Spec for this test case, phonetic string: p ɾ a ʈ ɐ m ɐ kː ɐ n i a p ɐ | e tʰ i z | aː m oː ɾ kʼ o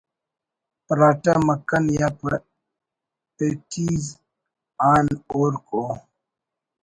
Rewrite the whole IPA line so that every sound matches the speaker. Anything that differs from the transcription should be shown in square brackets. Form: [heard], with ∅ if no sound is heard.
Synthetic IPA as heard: p ɾ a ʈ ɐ m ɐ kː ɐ n [j] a p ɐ | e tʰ i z | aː [n] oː ɾ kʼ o